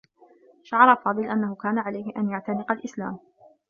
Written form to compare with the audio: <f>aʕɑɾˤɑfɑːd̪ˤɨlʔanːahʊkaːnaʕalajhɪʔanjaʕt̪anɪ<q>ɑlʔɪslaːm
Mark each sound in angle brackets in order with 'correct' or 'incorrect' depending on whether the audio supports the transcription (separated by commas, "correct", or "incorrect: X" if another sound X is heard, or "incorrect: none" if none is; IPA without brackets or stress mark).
incorrect: ʃ, correct